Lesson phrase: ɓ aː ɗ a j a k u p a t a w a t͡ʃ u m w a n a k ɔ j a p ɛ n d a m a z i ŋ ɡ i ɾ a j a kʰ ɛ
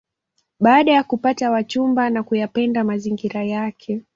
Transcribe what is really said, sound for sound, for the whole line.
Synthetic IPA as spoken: ɓ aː ɗ a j a k u p a t a w a t͡ʃ u m b a n a k u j a p ɛ n d a m a z i ŋ ɡ i ɾ a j a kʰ ɛ

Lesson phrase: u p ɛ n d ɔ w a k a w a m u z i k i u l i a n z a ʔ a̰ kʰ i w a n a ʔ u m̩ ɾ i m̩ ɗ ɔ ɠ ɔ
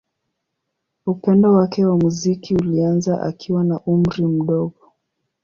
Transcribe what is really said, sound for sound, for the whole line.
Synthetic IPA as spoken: u p ɛ n d ɔ w a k ɛ w a m u z i k i u l i a n z a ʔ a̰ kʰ i w a n a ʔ u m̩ ɾ i m̩ ɗ ɔ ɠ ɔ

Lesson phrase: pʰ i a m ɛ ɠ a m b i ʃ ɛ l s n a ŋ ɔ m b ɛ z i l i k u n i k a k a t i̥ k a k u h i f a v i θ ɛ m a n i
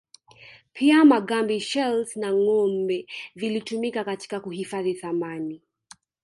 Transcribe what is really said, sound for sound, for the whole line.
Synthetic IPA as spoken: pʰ i a m a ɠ a m b i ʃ ɛ l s n a ŋ ɔ m b ɛ v i l i t u m i k a k a t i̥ k a k u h i f a ð i θ a m a n i

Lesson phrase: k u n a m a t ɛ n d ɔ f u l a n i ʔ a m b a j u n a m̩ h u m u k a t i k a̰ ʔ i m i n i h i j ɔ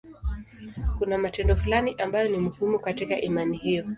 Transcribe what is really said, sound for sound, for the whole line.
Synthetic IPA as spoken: k u n a m a t ɛ n d ɔ f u l a n i ʔ a m b a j ɔ n i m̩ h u m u k a t i k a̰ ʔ i m a n i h i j ɔ

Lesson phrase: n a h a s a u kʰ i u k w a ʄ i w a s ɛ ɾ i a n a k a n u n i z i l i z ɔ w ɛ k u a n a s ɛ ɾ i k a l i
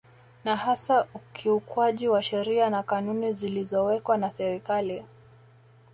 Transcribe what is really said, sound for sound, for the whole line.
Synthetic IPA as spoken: n a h a s a u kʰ i u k w a ʄ i w a ʃ ɛ ɾ i a n a k a n u n i z i l i z ɔ w ɛ k w a n a s ɛ ɾ i k a l i

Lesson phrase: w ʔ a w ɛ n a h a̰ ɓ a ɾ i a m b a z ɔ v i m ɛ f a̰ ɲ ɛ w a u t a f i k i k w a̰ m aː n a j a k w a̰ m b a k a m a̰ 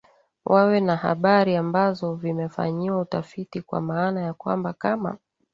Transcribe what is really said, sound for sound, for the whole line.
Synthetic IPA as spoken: w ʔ a w ɛ n a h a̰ ɓ a ɾ i a m b a z ɔ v i m ɛ f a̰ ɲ i w a u t a f i t i k w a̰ m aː n a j a k w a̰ m b a k a m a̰

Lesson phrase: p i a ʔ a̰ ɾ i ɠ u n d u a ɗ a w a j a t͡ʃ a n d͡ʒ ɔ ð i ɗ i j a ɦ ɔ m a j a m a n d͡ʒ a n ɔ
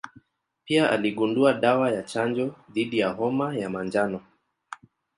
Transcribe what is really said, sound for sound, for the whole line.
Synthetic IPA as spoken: p i a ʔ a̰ l i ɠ u n d u a ɗ a w a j a t͡ʃ a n d͡ʒ ɔ ð i ɗ i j a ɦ ɔ m a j a m a n d͡ʒ a n ɔ

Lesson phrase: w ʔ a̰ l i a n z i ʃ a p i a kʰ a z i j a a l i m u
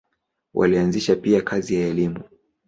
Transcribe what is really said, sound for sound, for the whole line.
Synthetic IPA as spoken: w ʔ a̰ l i a n z i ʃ a p i a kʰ a z i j a ɛ l i m u

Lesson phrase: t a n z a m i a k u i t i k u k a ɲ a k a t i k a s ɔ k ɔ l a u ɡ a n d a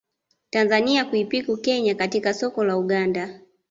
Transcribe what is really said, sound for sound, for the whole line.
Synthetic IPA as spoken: t a n z a n i a k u i p i k u k ɛ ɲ a k a t i k a s ɔ k ɔ l a u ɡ a n d a

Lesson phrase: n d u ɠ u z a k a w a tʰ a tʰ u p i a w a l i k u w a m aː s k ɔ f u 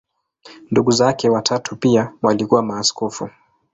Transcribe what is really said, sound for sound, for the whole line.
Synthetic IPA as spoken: n d u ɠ u z a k ɛ w a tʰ a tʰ u p i a w a l i k u w a m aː s k ɔ f u

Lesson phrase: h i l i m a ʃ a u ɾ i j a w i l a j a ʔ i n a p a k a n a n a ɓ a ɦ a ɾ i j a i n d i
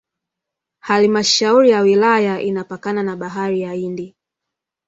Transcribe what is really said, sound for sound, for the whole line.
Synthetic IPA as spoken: h a l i m a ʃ a u ɾ i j a w i l a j a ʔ i n a p a k a n a n a ɓ a ɦ a ɾ i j a i n d i

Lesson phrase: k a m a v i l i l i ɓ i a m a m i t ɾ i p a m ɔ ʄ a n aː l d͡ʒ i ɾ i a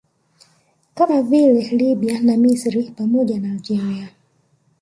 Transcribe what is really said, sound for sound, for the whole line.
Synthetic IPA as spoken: k a m a v i l ɛ l i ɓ i a n a m i s ɾ i p a m ɔ ʄ a n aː l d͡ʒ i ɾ i a

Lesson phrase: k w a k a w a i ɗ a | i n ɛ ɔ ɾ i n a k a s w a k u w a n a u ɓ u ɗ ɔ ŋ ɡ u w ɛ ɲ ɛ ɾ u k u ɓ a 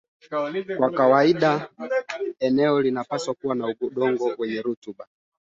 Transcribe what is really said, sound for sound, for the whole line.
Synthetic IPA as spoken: k w a k a w a i ɗ a | ɛ n ɛ ɔ l i n a p a s w a k u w a n a u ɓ u ɗ ɔ ŋ ɡ ɔ w ɛ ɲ ɛ ɾ u t u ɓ a

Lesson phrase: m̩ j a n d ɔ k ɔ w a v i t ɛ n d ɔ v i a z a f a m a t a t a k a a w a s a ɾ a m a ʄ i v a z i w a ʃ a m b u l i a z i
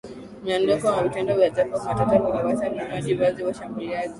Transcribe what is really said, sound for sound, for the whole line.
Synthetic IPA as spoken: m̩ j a n d ɔ k ɔ w a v i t ɛ n d ɔ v j a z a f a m a t a t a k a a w a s a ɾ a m a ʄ i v a z i w a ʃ a m b u l i a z i

